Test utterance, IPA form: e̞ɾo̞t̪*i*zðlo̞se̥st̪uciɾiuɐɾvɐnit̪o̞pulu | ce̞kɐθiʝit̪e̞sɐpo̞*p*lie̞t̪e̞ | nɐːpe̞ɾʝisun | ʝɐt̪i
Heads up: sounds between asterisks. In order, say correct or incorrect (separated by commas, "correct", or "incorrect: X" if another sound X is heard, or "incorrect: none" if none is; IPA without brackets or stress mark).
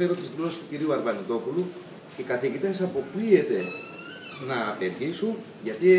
correct, correct